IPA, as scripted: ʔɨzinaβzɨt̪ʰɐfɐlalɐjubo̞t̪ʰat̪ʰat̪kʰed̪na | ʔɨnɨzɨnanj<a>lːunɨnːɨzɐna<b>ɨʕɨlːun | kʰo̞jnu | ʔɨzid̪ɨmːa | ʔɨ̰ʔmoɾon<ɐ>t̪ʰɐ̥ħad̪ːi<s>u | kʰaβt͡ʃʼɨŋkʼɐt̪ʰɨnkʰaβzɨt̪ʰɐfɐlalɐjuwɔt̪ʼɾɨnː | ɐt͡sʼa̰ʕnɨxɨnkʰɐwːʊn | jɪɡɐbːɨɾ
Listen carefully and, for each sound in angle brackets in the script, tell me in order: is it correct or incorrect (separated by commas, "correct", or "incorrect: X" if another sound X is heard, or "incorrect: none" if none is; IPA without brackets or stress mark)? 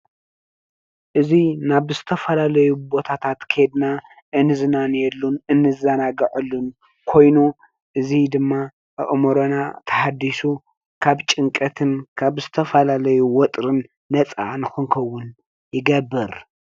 incorrect: ɛ, incorrect: ɡ, incorrect: a, correct